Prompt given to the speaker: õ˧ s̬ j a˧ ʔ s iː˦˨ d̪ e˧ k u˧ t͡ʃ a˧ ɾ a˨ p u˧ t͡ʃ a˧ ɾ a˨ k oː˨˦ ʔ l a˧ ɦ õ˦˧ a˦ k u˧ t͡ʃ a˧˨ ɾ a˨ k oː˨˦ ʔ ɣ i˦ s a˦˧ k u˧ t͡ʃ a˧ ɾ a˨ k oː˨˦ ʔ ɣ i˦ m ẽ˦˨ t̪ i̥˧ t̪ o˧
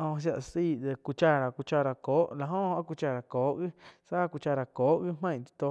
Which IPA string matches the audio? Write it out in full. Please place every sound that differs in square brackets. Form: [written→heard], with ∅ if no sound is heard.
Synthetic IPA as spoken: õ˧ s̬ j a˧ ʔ s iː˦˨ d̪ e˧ k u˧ t͡ʃ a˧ ɾ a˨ [p→k] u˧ t͡ʃ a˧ ɾ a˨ k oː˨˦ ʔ l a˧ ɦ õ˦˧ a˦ k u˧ t͡ʃ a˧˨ ɾ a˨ k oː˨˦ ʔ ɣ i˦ s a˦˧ k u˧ t͡ʃ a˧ ɾ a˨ k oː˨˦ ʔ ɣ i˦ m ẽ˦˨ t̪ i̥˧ t̪ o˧